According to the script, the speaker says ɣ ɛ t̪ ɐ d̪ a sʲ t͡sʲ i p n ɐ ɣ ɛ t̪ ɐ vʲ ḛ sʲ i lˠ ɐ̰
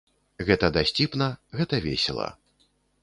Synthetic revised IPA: ɣ ɛ t̪ ɐ d̪ a sʲ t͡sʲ i p n ɐ ɣ ɛ t̪ ɐ vʲ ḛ sʲ ɛ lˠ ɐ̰